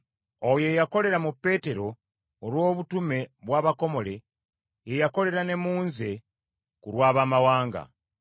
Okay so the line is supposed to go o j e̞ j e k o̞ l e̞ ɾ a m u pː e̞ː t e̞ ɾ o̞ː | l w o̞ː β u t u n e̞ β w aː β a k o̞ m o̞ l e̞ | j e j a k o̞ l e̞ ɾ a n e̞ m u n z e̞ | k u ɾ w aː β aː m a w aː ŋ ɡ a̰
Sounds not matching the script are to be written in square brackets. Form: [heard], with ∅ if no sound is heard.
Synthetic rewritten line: o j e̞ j [a] k o̞ l e̞ ɾ a m u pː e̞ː t e̞ ɾ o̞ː | l w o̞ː β u t u [m] e̞ β w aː β a k o̞ m o̞ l e̞ | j e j a k o̞ l e̞ ɾ a n e̞ m [uː] n z e̞ | k u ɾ w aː β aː m a w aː ŋ ɡ a̰